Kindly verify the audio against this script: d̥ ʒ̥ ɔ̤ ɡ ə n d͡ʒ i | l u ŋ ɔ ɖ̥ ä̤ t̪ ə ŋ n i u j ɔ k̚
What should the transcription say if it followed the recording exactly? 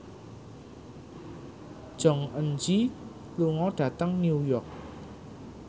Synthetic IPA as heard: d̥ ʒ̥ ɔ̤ ŋ ə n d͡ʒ i | l u ŋ ɔ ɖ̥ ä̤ t̪ ə ŋ n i u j ɔ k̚